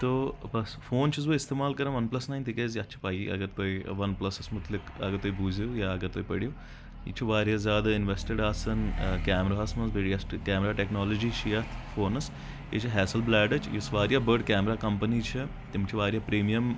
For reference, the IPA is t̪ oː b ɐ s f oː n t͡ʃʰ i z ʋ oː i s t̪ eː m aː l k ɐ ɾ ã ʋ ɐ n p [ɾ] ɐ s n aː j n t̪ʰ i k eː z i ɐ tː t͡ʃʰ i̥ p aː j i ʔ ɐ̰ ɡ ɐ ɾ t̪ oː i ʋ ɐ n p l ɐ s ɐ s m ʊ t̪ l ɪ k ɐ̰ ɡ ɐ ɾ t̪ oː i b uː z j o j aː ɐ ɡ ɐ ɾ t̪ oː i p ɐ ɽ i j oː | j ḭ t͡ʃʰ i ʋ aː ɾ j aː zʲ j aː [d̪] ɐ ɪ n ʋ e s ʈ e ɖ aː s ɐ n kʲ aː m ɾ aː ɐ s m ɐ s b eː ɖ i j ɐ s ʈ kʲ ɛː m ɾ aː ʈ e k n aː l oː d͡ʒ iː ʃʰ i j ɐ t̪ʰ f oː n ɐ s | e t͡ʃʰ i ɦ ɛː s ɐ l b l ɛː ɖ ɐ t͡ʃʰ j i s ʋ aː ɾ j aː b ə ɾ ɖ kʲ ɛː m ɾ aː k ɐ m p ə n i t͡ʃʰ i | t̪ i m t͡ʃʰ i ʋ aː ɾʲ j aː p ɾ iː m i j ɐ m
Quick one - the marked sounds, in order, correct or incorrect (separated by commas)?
incorrect, correct